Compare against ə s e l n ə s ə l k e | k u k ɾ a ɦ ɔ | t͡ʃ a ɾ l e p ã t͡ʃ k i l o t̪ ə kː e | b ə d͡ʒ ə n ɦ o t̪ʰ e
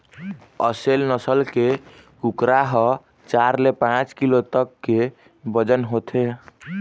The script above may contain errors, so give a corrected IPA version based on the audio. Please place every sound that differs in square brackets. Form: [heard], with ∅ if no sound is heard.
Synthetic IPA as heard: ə s e l n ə s ə l k e | k u k ɾ a ɦ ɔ | t͡ʃ a ɾ l e p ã t͡ʃ k i l o t̪ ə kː e | b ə d͡ʒ ə n ɦ o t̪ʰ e